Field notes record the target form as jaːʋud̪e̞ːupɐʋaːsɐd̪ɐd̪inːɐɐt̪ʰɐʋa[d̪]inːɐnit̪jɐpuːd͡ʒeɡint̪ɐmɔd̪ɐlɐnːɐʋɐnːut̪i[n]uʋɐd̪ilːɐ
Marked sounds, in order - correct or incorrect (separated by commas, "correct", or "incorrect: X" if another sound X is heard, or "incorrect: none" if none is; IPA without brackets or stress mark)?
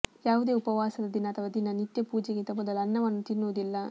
correct, incorrect: nː